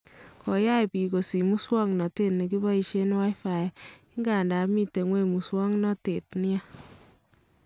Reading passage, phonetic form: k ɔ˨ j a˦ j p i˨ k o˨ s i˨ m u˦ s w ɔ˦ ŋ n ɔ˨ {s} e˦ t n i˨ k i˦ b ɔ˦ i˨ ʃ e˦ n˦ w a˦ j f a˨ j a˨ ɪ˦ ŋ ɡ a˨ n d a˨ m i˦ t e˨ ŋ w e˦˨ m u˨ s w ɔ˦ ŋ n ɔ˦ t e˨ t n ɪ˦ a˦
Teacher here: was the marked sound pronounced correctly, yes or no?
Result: no